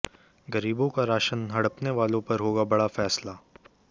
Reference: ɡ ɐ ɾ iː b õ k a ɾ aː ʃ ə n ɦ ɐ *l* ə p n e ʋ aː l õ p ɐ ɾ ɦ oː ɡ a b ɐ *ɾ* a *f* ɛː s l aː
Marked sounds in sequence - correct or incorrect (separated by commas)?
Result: incorrect, incorrect, correct